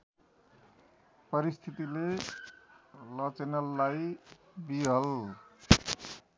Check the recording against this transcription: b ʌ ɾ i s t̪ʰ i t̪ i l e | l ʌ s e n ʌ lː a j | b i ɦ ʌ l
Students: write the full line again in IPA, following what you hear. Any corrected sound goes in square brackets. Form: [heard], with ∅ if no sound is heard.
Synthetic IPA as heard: [p] ʌ ɾ i s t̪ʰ i t̪ i l e | l ʌ [t͡s] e n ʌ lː a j | b i ɦ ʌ l